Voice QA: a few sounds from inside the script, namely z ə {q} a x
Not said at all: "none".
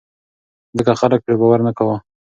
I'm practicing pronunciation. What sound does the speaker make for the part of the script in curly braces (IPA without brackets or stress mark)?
k